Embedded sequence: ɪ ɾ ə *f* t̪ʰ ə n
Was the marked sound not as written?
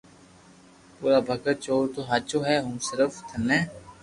no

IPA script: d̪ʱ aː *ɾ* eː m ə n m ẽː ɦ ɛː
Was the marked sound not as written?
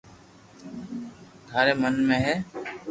no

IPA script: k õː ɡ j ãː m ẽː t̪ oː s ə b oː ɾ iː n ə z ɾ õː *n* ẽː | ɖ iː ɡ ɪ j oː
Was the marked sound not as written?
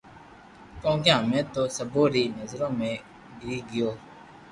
yes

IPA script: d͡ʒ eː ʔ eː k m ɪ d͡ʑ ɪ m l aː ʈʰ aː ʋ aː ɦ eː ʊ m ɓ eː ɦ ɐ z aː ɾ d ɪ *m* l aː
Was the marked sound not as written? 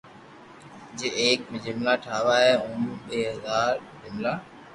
no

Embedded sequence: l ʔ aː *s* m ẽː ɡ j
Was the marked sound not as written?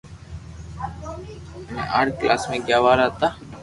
no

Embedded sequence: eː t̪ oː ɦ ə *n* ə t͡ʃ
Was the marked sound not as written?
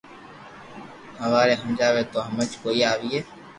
yes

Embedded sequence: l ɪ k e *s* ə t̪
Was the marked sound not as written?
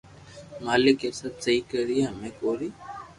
no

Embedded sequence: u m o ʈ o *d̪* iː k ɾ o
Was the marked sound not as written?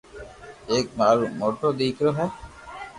no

